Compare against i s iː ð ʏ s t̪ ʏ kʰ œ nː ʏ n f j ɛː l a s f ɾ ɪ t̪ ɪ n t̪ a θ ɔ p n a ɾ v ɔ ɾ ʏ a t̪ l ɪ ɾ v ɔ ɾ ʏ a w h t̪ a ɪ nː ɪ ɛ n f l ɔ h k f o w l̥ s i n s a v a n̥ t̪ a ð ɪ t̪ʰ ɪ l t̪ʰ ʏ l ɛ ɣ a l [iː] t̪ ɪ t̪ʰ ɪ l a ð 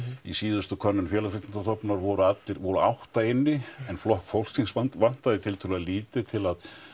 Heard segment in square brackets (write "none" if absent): iː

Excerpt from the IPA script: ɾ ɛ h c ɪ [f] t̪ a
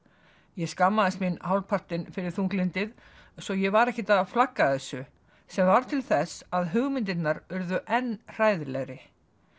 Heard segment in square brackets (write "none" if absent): none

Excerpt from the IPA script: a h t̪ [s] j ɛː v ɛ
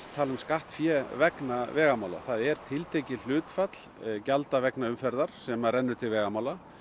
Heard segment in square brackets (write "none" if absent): f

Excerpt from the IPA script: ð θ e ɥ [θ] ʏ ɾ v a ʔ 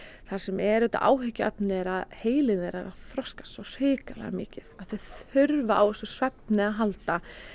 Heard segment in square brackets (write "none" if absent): θ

